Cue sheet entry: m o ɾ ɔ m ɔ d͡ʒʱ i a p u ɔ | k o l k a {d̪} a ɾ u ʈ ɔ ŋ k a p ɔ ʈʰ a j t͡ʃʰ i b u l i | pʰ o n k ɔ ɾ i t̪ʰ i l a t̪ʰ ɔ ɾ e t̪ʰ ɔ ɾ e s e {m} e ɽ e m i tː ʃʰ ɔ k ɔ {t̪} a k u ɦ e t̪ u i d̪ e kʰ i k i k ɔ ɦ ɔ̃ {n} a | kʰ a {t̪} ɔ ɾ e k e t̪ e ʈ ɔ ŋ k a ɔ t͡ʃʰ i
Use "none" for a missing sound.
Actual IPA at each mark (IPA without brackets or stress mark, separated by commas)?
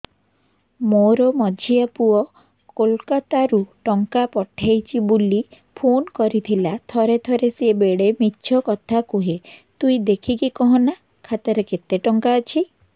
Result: t̪, b, t̪ʰ, n, t̪